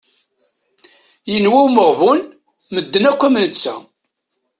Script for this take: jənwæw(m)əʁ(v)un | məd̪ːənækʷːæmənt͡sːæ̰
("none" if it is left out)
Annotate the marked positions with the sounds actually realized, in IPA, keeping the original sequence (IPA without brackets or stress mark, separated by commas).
m, v